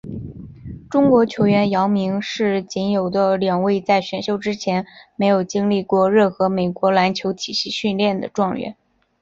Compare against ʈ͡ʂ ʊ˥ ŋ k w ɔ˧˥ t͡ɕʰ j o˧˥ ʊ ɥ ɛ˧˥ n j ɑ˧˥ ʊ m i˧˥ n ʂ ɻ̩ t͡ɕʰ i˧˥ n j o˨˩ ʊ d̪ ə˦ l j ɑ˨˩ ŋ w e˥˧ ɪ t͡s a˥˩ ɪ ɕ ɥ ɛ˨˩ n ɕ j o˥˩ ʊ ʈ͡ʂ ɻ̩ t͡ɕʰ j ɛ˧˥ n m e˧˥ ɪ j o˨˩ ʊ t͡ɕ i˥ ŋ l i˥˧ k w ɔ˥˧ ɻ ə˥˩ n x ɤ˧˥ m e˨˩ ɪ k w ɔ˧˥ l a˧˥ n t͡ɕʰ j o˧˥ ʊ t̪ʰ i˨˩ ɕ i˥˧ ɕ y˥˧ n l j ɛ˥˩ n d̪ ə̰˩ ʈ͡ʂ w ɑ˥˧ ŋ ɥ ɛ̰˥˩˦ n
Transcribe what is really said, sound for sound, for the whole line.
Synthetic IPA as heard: ʈ͡ʂ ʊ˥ ŋ k w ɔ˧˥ t͡ɕʰ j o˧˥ ʊ ɥ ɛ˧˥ n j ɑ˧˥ ʊ m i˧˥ ŋ ʂ ɻ̩ t͡ɕ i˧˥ n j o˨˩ ʊ d̪ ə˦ l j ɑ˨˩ ŋ w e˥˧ ɪ t͡s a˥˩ ɪ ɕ ɥ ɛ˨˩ n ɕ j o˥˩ ʊ ʈ͡ʂ ɻ̩ t͡ɕʰ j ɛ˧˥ n m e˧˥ ɪ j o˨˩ ʊ t͡ɕ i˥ ŋ l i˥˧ k w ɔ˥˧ ɻ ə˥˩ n x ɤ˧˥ m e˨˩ ɪ k w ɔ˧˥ l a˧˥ n t͡ɕʰ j o˧˥ ʊ t̪ʰ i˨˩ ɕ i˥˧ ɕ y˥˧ n l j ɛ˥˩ n d̪ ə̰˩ ʈ͡ʂ w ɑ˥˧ ŋ ɥ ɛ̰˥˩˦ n

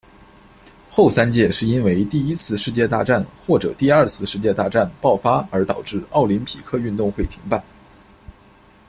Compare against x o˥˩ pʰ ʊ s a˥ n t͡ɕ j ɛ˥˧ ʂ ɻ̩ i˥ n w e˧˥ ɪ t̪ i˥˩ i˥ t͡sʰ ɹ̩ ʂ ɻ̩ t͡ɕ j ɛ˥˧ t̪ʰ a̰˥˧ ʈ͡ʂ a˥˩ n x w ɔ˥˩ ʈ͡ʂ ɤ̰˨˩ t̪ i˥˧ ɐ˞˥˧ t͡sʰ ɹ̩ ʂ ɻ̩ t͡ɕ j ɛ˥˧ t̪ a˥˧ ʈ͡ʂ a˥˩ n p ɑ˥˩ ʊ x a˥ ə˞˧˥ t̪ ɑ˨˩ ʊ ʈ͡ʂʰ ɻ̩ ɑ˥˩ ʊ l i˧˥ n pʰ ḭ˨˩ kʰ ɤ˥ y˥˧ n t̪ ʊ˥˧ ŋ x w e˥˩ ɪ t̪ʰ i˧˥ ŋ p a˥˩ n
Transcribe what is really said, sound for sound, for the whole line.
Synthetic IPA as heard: x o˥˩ ʊ s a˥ n t͡ɕ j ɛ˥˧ ʂ ɻ̩ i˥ n w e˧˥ ɪ t̪ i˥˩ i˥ t͡sʰ ɹ̩ ʂ ɻ̩ t͡ɕ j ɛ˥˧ t̪ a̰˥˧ ʈ͡ʂ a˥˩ n x w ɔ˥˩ ʈ͡ʂ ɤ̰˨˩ t̪ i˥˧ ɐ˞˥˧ t͡sʰ ɹ̩ ʂ ɻ̩ t͡ɕ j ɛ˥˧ t̪ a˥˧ ʈ͡ʂ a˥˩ n p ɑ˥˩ ʊ f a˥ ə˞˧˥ t̪ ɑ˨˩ ʊ ʈ͡ʂ ɻ̩ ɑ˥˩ ʊ l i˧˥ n pʰ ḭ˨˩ kʰ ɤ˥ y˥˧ n t̪ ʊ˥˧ ŋ x w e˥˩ ɪ t̪ʰ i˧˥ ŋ p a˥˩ n

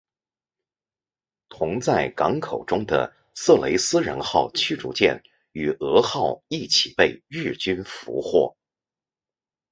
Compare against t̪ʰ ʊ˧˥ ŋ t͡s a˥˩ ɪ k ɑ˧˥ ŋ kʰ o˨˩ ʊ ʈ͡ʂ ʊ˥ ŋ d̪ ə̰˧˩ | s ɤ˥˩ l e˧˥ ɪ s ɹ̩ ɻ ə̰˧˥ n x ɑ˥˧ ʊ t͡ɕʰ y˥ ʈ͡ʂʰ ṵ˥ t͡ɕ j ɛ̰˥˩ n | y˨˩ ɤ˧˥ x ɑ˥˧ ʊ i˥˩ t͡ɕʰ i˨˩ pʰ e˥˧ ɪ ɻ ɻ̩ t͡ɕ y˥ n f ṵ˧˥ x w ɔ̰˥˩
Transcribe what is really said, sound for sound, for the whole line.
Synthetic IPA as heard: t̪ʰ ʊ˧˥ ŋ t͡s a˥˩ ɪ k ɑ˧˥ ŋ kʰ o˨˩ ʊ ʈ͡ʂ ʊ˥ ŋ d̪ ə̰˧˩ | s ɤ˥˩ l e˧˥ ɪ s ɹ̩ ɻ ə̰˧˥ n x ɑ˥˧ ʊ t͡ɕʰ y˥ ʈ͡ʂ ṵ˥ t͡ɕ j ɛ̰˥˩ n | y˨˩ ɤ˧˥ x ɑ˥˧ ʊ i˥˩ t͡ɕʰ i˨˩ p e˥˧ ɪ ɻ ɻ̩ t͡ɕ y˥ n f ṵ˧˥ x w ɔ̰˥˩

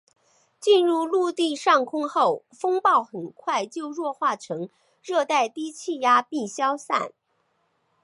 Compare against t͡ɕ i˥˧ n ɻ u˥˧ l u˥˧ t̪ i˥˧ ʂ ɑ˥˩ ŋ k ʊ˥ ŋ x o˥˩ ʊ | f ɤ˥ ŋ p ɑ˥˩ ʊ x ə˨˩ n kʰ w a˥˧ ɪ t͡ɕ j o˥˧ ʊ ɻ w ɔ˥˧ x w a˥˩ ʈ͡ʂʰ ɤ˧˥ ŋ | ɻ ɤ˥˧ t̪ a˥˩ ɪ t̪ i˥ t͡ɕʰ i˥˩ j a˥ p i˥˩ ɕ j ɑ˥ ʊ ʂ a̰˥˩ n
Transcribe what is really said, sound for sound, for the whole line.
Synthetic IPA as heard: t͡ɕ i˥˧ n ɻ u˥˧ l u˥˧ t̪ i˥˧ ʂ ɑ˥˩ ŋ kʰ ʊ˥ ŋ x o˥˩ ʊ | f ɤ˥ ŋ p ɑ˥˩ ʊ x ə˨˩ n kʰ w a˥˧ ɪ t͡ɕ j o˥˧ ʊ ɻ w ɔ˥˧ x w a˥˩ ʈ͡ʂʰ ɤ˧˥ ŋ | ɻ ɤ˥˧ t̪ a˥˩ ɪ t̪ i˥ t͡ɕʰ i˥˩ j a˥ p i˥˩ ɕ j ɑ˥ ʊ s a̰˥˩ n

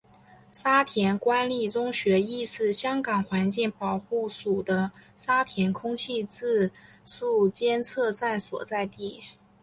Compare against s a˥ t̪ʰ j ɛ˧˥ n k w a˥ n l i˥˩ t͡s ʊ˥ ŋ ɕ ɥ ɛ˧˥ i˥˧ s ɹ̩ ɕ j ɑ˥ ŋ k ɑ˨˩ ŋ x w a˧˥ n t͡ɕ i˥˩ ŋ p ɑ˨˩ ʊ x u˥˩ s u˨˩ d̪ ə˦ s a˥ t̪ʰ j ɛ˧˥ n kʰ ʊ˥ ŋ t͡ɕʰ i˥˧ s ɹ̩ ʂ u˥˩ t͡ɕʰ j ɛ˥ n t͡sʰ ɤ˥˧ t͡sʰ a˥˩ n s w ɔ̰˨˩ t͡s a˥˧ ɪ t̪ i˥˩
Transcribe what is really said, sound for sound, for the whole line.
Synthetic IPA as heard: s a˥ t̪ʰ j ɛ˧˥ n k w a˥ n l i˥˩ t͡s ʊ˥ ŋ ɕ ɥ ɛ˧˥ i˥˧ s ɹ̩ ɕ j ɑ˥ ŋ k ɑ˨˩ ŋ x w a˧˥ n t͡ɕ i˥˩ ŋ p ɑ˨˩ ʊ x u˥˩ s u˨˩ d̪ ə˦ s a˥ t̪ʰ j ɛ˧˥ n kʰ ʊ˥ ŋ t͡ɕʰ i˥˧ t͡s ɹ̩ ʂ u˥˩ t͡ɕ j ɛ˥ n t͡sʰ ɤ˥˧ t͡s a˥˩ n s w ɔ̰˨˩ t͡s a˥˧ ɪ t̪ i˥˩

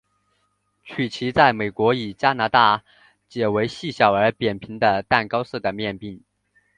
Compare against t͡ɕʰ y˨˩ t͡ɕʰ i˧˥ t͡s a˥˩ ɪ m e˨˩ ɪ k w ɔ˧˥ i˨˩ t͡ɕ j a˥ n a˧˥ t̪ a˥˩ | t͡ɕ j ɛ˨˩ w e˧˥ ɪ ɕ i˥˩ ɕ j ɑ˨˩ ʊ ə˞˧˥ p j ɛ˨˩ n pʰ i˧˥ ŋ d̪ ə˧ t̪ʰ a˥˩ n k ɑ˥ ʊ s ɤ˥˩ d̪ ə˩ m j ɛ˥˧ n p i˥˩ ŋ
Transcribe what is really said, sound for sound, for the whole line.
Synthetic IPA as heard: t͡ɕʰ y˨˩ t͡ɕʰ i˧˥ t͡s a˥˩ ɪ m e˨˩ ɪ k w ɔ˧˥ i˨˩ t͡ɕ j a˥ n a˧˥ t̪ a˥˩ | t͡ɕ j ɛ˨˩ w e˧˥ ɪ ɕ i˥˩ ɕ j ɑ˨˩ ʊ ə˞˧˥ p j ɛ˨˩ n pʰ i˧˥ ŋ d̪ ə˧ t̪ a˥˩ n k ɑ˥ ʊ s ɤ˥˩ d̪ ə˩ m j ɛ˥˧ n p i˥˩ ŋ

